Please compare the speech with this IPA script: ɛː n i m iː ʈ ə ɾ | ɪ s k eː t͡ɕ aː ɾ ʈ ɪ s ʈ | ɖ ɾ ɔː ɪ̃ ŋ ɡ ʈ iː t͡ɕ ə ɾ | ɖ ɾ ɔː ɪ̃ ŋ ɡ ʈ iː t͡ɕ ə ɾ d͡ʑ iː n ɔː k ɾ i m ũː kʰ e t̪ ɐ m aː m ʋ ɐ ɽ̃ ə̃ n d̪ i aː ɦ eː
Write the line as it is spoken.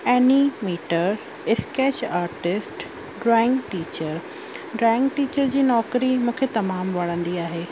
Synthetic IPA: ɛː n i m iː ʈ ə ɾ | ɪ s k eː t͡ɕ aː ɾ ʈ ɪ s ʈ | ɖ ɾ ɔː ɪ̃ ŋ ɡ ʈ iː t͡ɕ ə ɾ | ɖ ɾ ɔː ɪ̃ ŋ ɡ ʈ iː t͡ɕ ə ɾ d͡ʑ iː n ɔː k ɾ i m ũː kʰ e t̪ ɐ m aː m ʋ ɐ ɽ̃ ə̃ n d̪ i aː ɦ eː